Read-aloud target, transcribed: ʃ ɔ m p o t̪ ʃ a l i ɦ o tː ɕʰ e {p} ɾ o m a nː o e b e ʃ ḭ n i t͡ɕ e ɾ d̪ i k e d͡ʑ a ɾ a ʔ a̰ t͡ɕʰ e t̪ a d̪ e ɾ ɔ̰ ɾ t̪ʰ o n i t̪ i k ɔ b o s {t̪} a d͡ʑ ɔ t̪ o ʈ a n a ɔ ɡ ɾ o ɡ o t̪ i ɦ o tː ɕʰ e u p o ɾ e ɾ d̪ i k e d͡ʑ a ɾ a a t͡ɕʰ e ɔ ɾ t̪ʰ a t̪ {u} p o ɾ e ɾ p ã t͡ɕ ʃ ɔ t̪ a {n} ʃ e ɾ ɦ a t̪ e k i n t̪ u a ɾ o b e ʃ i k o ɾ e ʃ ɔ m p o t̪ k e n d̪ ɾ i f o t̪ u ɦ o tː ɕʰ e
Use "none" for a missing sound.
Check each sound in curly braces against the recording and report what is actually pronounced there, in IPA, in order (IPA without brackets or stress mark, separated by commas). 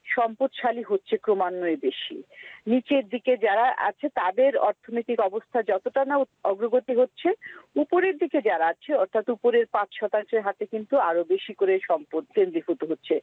k, t̪ʰ, u, ŋ